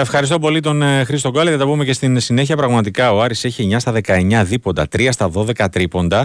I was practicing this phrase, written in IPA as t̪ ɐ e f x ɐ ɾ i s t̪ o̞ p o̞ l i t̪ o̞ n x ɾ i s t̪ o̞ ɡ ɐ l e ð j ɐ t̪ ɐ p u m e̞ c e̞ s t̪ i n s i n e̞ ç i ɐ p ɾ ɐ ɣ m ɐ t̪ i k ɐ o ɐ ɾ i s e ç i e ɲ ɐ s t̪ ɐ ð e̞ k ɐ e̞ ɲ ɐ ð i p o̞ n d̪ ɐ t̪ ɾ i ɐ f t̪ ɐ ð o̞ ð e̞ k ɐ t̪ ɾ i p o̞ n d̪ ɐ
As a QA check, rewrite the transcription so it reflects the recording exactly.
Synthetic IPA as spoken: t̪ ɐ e f x ɐ ɾ i s t̪ o̞ p o̞ l i t̪ o̞ n x ɾ i s t̪ o̞ ɡ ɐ l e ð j ɐ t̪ ɐ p u m e̞ c e̞ s t̪ i n s i n e̞ ç i ɐ p ɾ ɐ ɣ m ɐ t̪ i k ɐ o ɐ ɾ i s e ç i e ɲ ɐ s t̪ ɐ ð e̞ k ɐ e̞ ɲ ɐ ð i p o̞ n d̪ ɐ t̪ ɾ i ɐ s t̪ ɐ ð o̞ ð e̞ k ɐ t̪ ɾ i p o̞ n d̪ ɐ